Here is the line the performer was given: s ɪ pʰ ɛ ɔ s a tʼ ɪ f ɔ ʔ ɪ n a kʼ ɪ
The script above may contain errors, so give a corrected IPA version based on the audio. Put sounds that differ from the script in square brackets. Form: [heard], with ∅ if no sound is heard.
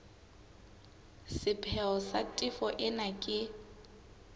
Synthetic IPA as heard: s ɪ pʰ ɛ ɔ s a tʼ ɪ f ɔ ʔ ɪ n a kʼ ɪ